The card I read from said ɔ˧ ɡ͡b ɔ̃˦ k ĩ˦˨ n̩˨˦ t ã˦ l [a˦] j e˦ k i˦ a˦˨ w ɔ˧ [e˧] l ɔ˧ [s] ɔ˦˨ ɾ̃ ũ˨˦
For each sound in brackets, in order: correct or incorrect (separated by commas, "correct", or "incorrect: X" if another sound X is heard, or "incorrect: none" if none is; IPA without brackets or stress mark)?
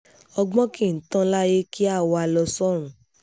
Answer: correct, incorrect: a˧, correct